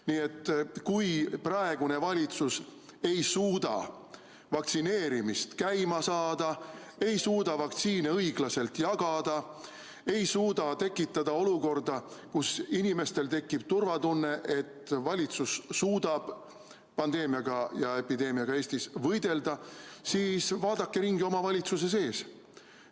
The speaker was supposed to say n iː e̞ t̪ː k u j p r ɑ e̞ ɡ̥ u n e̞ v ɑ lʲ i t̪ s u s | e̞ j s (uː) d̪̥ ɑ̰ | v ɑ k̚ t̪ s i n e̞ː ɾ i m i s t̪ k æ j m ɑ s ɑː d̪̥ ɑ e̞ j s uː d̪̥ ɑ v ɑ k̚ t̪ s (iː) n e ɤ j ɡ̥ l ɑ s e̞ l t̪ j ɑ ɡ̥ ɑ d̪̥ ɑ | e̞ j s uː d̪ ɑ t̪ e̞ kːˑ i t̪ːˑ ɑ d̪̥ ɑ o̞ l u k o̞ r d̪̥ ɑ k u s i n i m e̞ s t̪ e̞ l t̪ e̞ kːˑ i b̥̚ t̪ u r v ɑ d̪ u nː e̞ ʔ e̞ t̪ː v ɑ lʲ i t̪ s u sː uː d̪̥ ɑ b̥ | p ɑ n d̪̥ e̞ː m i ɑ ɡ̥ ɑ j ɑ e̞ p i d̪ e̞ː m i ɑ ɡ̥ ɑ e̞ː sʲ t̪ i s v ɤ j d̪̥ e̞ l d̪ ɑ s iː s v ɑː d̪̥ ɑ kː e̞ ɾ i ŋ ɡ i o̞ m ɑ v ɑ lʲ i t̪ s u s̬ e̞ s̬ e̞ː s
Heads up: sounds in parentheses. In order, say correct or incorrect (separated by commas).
correct, correct